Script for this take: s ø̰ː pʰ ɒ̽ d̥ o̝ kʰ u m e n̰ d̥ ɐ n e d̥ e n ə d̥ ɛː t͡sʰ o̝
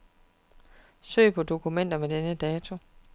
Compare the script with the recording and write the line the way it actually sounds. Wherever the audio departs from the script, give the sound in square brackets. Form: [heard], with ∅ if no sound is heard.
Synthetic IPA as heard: s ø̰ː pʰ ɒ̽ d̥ o̝ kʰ u m e n̰ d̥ ɐ [m] e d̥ e n ə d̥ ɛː t͡sʰ o̝